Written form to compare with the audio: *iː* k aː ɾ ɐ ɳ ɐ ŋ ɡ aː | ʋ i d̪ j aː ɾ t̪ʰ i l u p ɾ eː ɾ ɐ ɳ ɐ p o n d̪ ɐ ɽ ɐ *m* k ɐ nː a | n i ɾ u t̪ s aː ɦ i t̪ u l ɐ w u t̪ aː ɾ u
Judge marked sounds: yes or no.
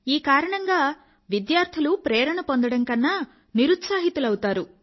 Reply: yes, no

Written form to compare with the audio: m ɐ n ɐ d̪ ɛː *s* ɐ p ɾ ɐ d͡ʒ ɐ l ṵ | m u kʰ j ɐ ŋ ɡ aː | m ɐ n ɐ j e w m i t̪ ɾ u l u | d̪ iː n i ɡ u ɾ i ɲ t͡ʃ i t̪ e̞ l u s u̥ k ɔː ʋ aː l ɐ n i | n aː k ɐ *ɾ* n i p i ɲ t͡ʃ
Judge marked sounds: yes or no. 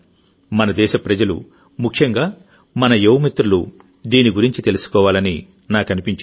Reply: no, no

